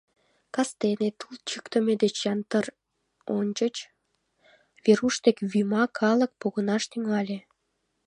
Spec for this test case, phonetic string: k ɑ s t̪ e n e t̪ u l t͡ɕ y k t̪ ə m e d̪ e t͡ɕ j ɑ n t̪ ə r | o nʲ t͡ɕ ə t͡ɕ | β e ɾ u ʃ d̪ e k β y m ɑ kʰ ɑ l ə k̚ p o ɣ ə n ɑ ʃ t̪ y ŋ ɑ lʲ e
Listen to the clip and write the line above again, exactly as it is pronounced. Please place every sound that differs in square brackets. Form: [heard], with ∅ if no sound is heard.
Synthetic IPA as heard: k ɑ s t̪ e n e t̪ u l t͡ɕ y k t̪ ə m e d̪ e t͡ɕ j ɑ n t̪ ə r | o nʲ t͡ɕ ə t͡ɕ | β e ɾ u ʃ [t̪] e k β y m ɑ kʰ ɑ l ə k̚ p o ɣ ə n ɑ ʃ t̪ y ŋ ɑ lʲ e